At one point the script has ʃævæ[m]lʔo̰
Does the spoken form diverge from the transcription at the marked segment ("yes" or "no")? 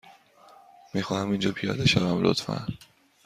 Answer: no